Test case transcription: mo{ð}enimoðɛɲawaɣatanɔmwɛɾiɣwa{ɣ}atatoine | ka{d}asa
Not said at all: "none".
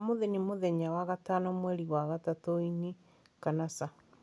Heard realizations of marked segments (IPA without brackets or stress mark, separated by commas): ð, ɣ, n